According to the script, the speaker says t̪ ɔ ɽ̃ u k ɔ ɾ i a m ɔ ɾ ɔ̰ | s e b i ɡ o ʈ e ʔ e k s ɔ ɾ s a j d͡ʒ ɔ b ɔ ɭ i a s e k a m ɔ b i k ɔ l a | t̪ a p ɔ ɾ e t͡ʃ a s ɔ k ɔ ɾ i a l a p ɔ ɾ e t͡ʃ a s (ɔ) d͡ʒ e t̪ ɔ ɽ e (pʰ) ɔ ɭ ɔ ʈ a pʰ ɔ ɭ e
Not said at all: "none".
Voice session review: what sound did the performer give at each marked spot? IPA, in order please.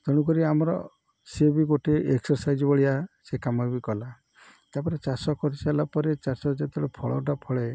ɔ, pʰ

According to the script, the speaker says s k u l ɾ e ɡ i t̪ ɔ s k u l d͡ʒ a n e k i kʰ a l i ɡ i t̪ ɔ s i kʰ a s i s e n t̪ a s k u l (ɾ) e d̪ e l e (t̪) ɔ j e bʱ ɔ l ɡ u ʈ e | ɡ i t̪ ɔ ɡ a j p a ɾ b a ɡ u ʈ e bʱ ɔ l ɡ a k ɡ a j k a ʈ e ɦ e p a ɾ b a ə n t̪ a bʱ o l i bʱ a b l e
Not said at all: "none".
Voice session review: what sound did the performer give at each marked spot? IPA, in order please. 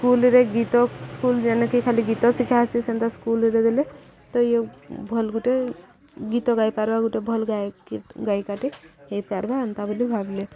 ɾ, t̪

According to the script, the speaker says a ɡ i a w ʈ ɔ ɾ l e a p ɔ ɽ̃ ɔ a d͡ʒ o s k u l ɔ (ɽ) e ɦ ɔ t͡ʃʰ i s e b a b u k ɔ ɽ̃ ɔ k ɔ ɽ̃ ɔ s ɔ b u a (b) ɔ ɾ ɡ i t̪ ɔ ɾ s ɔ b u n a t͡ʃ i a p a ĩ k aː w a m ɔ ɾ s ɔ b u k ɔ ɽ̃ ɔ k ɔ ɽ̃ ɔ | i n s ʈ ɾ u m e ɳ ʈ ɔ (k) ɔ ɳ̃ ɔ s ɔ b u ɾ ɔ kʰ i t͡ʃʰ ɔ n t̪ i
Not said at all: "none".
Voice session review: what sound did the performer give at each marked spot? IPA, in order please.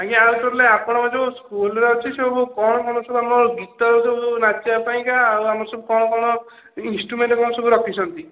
ɾ, m, k

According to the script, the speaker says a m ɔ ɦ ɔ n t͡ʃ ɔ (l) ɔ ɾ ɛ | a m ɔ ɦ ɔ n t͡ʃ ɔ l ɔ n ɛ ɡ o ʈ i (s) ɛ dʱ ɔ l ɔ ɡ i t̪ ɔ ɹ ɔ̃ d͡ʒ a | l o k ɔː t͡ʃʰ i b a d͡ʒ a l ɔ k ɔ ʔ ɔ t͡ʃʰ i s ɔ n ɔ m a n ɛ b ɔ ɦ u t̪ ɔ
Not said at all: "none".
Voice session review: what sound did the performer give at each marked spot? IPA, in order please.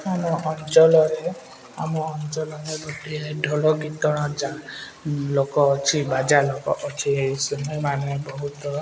l, none

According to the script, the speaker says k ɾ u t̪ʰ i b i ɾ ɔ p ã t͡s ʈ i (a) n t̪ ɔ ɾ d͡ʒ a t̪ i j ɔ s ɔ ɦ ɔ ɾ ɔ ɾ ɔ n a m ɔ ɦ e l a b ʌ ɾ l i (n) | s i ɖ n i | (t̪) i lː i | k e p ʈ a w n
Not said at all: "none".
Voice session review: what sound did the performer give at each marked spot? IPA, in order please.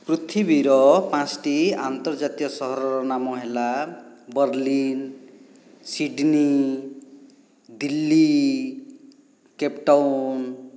a, n, d̪

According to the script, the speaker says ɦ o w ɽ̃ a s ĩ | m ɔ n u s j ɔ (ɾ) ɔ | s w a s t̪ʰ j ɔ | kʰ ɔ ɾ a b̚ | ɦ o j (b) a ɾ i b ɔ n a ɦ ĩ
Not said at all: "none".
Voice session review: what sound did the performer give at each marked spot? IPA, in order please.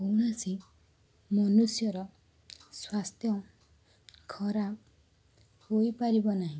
ɾ, p

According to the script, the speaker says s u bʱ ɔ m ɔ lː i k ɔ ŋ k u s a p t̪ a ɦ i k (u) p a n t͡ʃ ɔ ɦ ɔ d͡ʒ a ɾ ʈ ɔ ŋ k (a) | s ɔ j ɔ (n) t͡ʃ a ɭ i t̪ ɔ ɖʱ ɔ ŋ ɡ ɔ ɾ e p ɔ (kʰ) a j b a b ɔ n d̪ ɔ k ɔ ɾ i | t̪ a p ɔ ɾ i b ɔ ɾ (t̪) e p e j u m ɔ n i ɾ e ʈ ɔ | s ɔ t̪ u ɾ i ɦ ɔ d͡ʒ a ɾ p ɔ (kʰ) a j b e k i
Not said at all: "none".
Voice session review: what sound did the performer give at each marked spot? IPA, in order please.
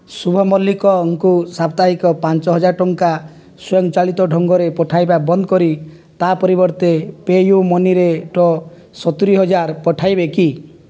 ɔ, a, ŋ, ʈʰ, t̪, ʈʰ

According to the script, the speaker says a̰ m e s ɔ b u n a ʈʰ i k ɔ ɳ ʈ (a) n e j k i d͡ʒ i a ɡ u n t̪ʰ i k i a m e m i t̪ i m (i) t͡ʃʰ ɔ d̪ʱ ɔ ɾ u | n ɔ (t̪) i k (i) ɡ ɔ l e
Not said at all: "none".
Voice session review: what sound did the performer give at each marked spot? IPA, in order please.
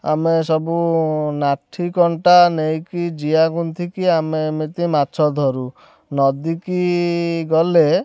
a, a, d̪, i

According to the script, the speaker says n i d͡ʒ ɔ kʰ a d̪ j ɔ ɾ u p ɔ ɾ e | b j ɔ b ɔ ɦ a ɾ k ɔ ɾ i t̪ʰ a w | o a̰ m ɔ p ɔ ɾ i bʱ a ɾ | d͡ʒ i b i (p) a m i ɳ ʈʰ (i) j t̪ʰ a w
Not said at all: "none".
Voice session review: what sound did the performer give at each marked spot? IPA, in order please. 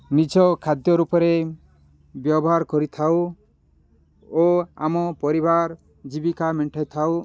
k, a

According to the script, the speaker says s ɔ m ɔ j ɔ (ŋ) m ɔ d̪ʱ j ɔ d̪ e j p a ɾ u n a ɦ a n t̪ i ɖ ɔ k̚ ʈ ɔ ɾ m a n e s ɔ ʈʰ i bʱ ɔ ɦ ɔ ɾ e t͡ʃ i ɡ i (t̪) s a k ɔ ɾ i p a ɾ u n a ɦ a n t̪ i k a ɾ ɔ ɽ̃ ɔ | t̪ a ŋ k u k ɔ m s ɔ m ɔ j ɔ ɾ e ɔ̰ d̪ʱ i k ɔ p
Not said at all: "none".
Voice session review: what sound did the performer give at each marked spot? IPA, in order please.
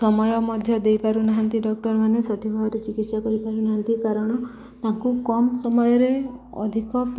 none, t̪

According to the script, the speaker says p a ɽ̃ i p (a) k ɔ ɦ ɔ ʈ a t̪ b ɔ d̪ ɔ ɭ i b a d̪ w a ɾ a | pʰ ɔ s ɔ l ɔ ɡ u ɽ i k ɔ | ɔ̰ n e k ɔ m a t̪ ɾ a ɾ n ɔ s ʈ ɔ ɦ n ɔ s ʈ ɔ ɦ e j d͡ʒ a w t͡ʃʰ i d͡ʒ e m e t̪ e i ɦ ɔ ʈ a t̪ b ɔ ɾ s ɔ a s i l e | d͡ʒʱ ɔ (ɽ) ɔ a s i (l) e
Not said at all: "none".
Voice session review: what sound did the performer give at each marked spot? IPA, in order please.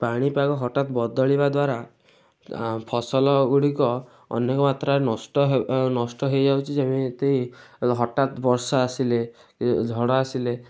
a, ɽ, l

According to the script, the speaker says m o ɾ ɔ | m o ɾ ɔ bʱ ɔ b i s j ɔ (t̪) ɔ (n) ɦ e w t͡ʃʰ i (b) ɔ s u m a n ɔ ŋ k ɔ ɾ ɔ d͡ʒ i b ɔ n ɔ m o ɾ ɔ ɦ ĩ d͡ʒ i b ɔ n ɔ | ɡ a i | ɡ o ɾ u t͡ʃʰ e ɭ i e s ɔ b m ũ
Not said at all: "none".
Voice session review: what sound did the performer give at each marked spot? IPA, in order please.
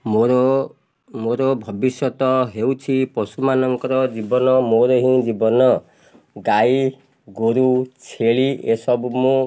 t̪, none, p

